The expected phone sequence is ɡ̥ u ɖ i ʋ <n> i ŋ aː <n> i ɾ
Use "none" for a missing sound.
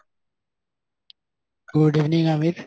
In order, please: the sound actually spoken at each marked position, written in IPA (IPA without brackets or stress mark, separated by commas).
n, m